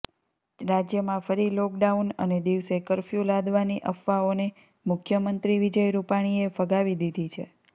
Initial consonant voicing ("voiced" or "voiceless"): voiced